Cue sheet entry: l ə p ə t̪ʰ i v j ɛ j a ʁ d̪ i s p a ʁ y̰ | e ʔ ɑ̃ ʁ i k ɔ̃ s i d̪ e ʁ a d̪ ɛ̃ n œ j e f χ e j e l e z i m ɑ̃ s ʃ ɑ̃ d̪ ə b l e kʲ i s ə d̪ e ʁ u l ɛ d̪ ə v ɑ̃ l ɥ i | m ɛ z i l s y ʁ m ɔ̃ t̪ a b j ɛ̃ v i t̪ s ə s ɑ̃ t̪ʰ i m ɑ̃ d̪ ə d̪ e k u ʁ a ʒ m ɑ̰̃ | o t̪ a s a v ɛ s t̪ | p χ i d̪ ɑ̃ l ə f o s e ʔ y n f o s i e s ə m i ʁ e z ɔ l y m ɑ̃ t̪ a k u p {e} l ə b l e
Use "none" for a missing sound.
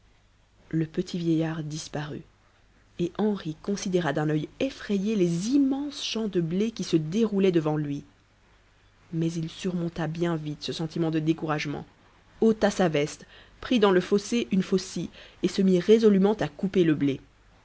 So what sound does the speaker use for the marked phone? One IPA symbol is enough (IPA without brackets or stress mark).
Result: e